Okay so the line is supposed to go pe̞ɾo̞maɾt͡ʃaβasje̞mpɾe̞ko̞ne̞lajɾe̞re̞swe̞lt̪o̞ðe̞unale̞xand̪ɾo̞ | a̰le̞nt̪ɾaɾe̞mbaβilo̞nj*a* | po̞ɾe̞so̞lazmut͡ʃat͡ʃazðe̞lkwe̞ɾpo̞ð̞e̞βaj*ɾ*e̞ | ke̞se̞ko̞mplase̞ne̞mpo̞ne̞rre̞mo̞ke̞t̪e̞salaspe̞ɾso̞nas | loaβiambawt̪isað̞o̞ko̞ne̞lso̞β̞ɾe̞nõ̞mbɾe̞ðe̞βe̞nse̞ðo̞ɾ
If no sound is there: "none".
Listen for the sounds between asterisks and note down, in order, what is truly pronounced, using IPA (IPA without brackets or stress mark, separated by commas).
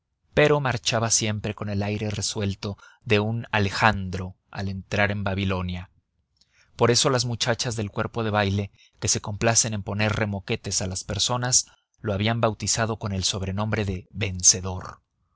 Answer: a, l